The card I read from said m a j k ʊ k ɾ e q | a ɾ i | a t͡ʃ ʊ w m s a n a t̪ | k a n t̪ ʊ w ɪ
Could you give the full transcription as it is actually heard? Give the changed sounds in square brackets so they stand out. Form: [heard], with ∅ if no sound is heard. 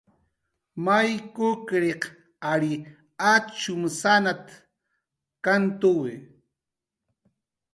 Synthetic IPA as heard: m a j k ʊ k ɾ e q | a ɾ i | a t͡ʃ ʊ [∅] m s a n a t̪ | k a n t̪ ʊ w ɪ